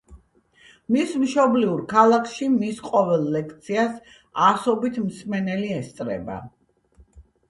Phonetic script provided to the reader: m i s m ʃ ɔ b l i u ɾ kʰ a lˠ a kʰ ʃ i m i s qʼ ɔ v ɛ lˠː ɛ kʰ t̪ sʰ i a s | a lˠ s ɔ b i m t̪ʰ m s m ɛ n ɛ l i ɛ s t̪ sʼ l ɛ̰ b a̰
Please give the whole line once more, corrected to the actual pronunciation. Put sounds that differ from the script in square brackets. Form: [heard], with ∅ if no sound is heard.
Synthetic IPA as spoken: m i s m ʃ ɔ b l i u ɾ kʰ a lˠ a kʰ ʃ i m i s qʼ ɔ v ɛ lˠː ɛ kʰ t̪ sʰ i a s | a [∅] s ɔ b i [∅] t̪ʰ m s m ɛ n ɛ l i ɛ s t̪ sʼ [ɾ] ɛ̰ b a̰